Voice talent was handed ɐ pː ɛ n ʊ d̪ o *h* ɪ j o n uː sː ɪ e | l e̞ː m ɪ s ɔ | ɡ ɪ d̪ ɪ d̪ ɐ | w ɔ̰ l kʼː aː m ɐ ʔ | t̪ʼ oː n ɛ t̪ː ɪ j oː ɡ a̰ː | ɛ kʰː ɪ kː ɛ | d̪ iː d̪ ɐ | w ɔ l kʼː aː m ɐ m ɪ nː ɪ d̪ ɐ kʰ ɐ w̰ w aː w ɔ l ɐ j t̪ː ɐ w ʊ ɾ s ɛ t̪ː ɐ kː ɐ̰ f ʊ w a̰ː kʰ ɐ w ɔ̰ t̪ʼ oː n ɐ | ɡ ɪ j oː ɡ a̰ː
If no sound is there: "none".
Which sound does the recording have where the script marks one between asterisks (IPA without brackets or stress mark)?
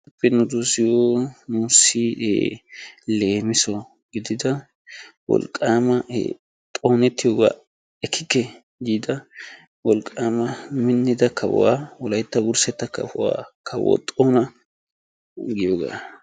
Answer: s